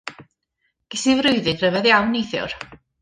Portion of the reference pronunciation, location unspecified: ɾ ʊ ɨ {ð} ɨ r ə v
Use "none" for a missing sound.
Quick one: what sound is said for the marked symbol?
ð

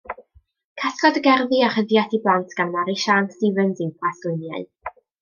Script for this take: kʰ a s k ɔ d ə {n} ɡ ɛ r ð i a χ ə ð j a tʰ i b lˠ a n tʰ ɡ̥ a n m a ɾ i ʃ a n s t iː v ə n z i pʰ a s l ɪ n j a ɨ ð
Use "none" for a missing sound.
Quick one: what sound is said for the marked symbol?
none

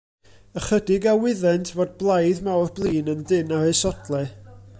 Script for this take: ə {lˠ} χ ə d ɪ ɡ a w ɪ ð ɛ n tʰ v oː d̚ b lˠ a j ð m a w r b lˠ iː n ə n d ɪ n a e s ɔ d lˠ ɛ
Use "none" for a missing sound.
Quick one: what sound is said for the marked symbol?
none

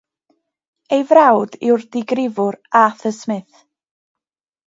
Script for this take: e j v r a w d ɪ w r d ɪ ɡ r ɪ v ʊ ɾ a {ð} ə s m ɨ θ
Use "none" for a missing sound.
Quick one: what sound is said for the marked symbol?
θ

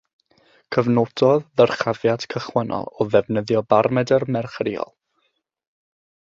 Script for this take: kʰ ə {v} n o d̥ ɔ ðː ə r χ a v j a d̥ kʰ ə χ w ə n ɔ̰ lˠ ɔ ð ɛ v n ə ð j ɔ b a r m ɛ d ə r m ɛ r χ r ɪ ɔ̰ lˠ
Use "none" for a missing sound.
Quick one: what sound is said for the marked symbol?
v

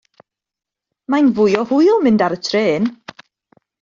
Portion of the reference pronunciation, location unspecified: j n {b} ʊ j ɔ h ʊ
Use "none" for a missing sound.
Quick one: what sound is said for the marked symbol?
v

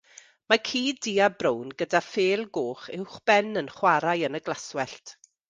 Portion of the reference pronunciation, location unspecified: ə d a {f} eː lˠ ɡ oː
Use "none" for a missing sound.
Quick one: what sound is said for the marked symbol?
f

